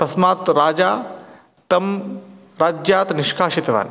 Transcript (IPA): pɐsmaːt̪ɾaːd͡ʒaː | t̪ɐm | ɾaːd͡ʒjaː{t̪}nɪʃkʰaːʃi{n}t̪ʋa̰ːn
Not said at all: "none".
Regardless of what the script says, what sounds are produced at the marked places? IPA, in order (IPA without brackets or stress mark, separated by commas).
t̪, none